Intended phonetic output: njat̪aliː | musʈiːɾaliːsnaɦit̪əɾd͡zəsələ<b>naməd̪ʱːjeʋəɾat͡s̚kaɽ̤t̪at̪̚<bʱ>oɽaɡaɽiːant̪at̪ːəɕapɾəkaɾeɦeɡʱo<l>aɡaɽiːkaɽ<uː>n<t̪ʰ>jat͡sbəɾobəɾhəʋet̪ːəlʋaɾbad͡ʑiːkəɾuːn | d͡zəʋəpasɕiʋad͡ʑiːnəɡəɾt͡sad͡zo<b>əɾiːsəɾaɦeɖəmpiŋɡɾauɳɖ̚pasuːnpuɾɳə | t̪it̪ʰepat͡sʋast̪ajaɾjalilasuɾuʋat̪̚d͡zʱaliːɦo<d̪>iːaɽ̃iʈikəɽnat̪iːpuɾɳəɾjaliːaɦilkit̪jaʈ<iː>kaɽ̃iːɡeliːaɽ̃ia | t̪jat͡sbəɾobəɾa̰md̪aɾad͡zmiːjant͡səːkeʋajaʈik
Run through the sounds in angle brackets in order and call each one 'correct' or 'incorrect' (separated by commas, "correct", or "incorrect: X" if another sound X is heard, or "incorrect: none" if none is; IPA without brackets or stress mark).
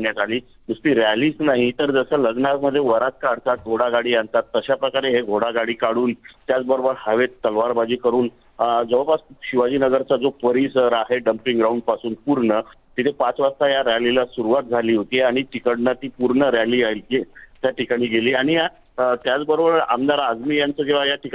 incorrect: ɡ, incorrect: ɡʱ, incorrect: ɽ, correct, incorrect: t̪, incorrect: p, incorrect: t̪, incorrect: i